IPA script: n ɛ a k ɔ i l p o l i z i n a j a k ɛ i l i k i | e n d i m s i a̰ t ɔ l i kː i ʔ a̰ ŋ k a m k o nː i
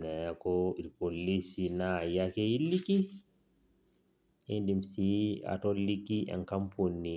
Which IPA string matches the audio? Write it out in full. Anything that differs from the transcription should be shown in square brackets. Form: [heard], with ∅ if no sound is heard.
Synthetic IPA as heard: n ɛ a k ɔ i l p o l i [s] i n a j a k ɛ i l i k i | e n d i m s i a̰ t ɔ l i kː i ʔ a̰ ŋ k a m [p] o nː i